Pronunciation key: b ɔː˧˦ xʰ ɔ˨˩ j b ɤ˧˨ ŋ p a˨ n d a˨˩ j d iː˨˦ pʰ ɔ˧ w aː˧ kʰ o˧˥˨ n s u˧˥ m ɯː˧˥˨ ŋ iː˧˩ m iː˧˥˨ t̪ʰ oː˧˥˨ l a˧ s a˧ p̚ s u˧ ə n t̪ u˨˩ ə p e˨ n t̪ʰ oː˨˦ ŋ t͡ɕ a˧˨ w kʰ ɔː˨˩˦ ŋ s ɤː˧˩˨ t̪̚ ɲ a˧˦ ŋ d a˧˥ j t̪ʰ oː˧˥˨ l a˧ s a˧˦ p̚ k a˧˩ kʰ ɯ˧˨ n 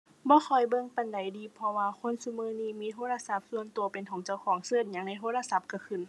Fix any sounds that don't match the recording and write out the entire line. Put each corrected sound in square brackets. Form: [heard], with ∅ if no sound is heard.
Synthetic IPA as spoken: b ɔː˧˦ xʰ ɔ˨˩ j b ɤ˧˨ ŋ p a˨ n d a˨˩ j d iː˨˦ pʰ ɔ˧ w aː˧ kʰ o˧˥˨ n s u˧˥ m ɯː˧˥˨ [n] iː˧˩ m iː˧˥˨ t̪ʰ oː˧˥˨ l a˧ s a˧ p̚ s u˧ ə n t̪ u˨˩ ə p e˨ n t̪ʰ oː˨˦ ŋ t͡ɕ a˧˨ w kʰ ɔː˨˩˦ ŋ s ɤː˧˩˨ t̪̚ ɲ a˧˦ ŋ [n] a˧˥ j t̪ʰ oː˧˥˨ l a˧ s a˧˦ p̚ k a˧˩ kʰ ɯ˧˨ n